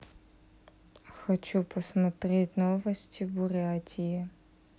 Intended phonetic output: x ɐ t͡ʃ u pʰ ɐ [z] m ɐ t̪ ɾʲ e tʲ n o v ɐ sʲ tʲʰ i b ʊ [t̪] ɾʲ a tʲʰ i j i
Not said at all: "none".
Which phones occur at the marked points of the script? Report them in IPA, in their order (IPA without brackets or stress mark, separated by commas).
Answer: s, none